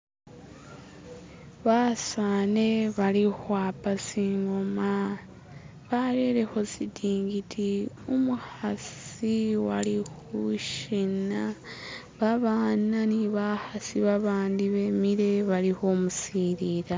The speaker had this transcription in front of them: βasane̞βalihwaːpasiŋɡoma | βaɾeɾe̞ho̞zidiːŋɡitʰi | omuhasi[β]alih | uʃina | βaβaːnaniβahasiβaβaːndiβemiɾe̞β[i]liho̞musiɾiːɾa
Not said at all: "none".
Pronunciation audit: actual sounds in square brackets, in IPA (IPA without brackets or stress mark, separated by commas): w, a